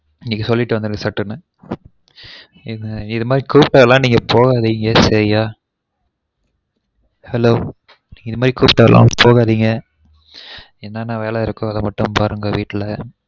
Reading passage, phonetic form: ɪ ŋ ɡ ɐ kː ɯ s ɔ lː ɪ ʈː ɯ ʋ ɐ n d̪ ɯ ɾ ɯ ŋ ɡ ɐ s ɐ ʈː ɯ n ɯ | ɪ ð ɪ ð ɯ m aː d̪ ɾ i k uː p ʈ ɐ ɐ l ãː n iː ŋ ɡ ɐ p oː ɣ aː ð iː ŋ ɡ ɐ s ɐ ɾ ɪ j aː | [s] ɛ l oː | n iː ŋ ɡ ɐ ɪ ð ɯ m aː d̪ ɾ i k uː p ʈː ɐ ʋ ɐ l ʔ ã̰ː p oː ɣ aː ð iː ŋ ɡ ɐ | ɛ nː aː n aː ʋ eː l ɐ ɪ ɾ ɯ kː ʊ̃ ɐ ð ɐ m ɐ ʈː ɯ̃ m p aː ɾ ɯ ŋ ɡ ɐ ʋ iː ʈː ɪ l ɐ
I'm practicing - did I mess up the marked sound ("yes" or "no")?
yes